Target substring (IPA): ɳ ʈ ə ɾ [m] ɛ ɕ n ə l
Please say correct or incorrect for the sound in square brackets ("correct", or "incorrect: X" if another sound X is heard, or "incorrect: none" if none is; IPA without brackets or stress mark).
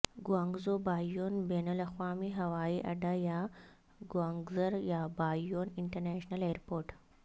incorrect: n